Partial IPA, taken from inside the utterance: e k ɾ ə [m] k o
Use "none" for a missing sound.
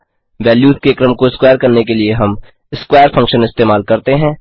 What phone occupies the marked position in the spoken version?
m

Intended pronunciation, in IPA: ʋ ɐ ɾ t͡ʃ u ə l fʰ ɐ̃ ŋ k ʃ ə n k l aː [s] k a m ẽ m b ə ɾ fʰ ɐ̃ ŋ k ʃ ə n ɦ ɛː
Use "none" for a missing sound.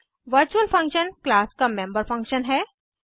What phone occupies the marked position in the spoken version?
s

